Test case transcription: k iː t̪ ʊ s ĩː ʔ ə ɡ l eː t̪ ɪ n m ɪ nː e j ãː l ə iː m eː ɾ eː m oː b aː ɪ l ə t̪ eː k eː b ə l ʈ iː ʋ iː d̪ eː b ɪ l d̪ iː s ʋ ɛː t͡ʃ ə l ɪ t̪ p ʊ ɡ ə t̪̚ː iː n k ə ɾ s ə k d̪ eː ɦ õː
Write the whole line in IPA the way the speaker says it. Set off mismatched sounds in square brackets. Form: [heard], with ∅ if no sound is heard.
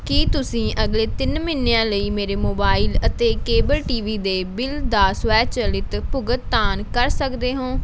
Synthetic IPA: k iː t̪ ʊ s ĩː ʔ ə ɡ l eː t̪ ɪ n m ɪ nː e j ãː l ə iː m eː ɾ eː m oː b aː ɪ l ə t̪ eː k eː b ə l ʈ iː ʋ iː d̪ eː b ɪ l d̪ [aː] s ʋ ɛː t͡ʃ ə l ɪ t̪ p ʊ ɡ ə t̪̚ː [aː] n k ə ɾ s ə k d̪ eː ɦ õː